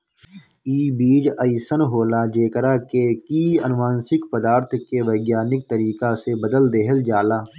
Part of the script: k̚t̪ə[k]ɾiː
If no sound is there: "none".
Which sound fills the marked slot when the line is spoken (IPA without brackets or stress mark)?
none